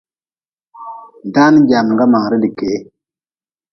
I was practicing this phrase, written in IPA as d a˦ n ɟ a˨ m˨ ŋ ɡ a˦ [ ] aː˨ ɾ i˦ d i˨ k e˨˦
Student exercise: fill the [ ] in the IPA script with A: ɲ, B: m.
B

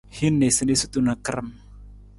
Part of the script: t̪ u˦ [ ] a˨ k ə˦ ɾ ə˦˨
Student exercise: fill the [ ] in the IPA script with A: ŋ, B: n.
B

